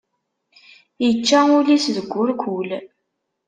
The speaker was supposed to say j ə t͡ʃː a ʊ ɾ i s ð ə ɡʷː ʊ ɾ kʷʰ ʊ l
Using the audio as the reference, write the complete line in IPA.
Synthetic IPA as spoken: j ə t͡ʃː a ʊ l i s ð ə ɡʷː ʊ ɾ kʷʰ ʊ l